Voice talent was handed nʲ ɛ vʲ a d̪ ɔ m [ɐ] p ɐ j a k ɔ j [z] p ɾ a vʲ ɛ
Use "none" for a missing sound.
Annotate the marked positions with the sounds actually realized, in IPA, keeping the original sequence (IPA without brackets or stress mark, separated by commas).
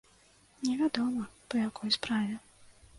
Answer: ɐ, s